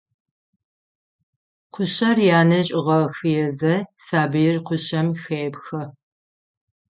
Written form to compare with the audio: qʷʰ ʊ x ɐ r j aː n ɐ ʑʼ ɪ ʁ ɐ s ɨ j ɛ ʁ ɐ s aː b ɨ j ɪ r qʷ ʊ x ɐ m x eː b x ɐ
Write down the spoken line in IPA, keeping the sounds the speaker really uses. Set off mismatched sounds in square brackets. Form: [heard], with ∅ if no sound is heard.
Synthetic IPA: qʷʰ ʊ [ɕ] ɐ r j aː n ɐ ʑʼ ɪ ʁ ɐ [x] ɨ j ɛ [z] ɐ s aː b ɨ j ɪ r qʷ ʊ [ɕ] ɐ m x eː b x ɐ